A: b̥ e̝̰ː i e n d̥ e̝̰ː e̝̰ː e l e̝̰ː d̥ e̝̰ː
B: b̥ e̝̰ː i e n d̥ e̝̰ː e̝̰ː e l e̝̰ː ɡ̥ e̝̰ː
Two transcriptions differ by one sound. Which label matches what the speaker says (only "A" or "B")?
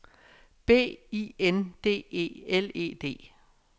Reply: A